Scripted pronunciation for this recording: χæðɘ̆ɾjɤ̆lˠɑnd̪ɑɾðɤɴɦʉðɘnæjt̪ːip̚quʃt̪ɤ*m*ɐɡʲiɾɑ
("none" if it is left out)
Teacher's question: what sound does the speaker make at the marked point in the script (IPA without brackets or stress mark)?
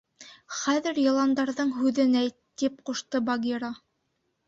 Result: b